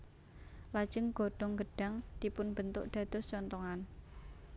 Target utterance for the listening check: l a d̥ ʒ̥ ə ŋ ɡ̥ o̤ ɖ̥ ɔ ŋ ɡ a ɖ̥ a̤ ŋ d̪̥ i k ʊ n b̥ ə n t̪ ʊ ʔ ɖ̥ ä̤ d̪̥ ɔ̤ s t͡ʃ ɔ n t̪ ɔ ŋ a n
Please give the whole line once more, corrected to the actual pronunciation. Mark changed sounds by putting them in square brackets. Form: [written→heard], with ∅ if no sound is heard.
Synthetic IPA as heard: l a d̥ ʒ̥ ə ŋ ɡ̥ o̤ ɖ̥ ɔ ŋ ɡ [a→ə] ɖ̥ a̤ ŋ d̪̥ i [k→p] ʊ n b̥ ə n t̪ ʊ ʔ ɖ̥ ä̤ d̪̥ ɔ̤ s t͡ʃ ɔ n t̪ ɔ ŋ a n

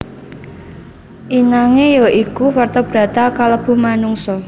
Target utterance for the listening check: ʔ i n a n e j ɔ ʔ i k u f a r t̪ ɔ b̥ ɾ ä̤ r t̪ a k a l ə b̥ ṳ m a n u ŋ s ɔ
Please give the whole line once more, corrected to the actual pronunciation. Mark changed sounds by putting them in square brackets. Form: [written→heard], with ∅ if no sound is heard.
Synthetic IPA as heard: ʔ i n a [n→ŋ] e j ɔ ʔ i k u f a r t̪ ɔ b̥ ɾ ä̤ [r→∅] t̪ a k a l ə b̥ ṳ m a n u ŋ s ɔ

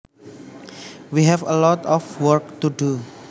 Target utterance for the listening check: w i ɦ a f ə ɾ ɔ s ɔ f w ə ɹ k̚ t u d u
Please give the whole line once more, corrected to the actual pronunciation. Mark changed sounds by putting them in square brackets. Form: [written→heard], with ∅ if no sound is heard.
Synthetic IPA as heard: w i ɦ [a→ɛ] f ə [ɾ→l] ɔ [s→t] ɔ f w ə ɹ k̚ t u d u

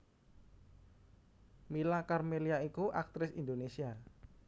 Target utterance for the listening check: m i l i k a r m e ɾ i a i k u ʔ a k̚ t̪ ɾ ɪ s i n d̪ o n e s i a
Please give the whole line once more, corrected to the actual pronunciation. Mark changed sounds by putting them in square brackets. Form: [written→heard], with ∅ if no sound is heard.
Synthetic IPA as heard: m i l [i→a] k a r m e [ɾ→l] i a i k u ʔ a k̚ t̪ ɾ ɪ s i n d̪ o n e s i a

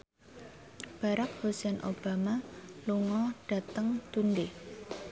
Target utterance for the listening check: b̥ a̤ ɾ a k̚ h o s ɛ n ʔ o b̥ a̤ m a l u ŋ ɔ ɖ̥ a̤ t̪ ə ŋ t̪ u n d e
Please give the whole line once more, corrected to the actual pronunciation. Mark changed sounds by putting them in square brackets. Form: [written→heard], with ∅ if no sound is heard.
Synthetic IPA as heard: b̥ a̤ ɾ a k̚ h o s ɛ n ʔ o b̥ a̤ m a l u ŋ ɔ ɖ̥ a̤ t̪ ə ŋ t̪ u n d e

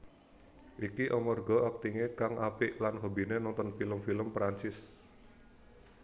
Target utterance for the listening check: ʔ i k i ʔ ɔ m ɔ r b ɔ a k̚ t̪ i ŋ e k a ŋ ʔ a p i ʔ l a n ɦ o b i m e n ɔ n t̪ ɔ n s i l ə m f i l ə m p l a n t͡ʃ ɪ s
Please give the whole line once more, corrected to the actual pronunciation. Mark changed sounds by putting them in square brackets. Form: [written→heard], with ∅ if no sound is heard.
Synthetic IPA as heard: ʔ i k i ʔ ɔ m ɔ r [b→ɡ] ɔ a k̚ t̪ i ŋ e k a ŋ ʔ a p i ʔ l a n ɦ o b i [m→n] e n ɔ n t̪ ɔ n [s→f] i l ə m f i l ə m p [l→ɾ] a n t͡ʃ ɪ s

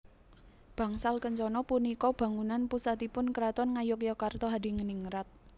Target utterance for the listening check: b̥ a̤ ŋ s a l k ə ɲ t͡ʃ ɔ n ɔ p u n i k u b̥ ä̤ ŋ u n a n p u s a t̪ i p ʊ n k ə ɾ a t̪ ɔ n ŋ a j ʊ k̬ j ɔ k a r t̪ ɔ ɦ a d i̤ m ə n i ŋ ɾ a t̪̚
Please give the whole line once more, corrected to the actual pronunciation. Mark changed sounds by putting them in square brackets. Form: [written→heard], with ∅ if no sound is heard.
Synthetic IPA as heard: b̥ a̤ ŋ s a l k ə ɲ t͡ʃ ɔ n ɔ p u n i k [u→ɔ] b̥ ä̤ ŋ u n a n p u s a t̪ i p ʊ n k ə ɾ a t̪ ɔ n ŋ a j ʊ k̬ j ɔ k a r t̪ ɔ ɦ a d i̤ [m→ŋ] ə n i ŋ ɾ a t̪̚

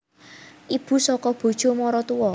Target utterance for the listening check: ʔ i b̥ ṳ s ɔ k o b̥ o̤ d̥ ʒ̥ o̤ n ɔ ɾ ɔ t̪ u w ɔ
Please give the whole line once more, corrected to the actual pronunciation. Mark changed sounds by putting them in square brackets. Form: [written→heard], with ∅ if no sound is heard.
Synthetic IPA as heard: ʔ i b̥ ṳ s ɔ k [o→ɔ] b̥ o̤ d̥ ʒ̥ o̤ [n→m] ɔ ɾ ɔ t̪ u w ɔ

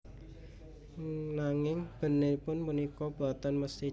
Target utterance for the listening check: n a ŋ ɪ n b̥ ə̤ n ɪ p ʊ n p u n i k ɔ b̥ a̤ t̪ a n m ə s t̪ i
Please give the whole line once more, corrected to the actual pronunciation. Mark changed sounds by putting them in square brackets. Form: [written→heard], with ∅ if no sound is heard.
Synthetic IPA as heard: n a ŋ ɪ [n→ŋ] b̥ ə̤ n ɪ p ʊ n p u n i k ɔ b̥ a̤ t̪ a n m ə s t̪ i

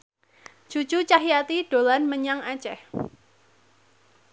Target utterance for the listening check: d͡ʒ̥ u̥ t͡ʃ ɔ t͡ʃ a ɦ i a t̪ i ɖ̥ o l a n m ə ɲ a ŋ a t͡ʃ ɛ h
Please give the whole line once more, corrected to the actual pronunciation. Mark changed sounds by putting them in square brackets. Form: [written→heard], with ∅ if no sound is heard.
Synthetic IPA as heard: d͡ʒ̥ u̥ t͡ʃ [ɔ→u] t͡ʃ a ɦ i a t̪ i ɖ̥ o l a n m ə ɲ a ŋ a t͡ʃ ɛ h

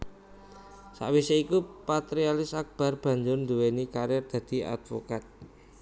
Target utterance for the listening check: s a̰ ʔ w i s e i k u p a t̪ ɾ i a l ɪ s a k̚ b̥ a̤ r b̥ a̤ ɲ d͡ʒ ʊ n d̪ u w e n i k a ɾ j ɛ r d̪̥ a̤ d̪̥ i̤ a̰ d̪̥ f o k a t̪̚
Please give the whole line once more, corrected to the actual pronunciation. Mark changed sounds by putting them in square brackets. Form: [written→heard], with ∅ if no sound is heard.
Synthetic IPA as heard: s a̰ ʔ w i s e i k u p a t̪ ɾ i a l ɪ s a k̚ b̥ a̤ r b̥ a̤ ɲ d͡ʒ ʊ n d̪ u w e n i k a ɾ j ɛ r d̪̥ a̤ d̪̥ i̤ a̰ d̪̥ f o k a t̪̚

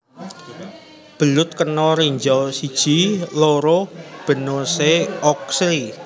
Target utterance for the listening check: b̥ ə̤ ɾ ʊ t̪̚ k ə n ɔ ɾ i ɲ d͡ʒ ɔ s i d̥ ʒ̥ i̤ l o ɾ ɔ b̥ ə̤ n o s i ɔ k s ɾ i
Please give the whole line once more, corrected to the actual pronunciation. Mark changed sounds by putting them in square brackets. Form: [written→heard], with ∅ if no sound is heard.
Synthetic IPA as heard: b̥ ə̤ [ɾ→l] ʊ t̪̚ k ə n ɔ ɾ i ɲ d͡ʒ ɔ s i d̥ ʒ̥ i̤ l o ɾ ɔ b̥ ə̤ n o s [i→e] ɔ k s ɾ i

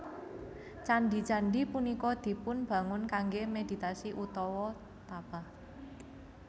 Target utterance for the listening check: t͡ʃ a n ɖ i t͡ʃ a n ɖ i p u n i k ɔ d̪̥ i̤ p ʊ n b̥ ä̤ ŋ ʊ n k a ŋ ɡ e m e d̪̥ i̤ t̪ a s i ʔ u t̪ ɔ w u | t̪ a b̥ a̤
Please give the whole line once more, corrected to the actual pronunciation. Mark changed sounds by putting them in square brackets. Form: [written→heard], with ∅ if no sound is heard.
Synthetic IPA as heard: t͡ʃ a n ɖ i t͡ʃ a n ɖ i p u n i k ɔ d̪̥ i̤ p ʊ n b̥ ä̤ ŋ ʊ n k a ŋ ɡ e m e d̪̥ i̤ t̪ a s i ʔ u t̪ ɔ w [u→ɔ] | t̪ a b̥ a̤

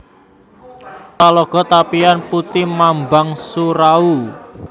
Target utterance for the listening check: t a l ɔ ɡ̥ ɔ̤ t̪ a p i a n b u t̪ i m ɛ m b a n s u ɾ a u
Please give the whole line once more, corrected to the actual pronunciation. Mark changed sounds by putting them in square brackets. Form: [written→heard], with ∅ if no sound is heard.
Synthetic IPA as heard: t a l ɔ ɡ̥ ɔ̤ t̪ a p i a n [b→p] u t̪ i m [ɛ→a] m b a [n→ŋ] s u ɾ a u

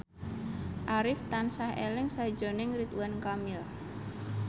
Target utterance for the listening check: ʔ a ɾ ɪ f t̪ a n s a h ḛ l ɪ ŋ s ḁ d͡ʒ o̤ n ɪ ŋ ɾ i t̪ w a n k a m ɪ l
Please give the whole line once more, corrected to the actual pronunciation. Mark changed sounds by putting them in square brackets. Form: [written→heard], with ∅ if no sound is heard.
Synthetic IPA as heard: ʔ a ɾ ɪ f t̪ a n s a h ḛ l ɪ ŋ s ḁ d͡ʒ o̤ n ɪ ŋ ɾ i t̪ w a n k a m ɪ l

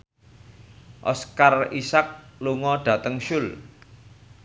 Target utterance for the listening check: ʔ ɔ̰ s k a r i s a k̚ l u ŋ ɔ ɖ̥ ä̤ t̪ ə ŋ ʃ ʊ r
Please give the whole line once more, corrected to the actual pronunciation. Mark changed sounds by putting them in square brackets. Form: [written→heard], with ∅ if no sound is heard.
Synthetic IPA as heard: ʔ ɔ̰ s k a r i s a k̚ l u ŋ ɔ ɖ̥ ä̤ t̪ ə ŋ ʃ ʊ [r→l]

